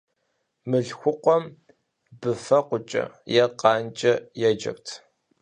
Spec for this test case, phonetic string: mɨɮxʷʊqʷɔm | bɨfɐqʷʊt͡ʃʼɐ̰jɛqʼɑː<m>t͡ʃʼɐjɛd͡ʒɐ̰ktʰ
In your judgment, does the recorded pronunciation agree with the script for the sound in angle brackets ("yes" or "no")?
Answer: no